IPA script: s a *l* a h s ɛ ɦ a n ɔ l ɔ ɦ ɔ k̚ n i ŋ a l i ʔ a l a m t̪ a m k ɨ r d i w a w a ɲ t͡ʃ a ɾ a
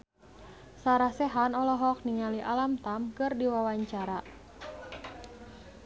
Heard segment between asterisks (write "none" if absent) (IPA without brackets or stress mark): ɾ